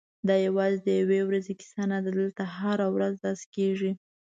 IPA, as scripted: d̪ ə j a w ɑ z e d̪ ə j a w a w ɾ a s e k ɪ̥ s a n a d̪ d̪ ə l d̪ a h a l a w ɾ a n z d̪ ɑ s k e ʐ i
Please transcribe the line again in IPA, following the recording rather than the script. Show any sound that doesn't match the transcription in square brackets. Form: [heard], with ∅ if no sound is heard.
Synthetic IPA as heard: d̪ [ɑ] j a w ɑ z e d̪ ə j a w [e] w ɾ a [z] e k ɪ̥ s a n a d̪ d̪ ə l [t̪] a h a [ɾ] a w ɾ a [∅] z d̪ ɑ s k e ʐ i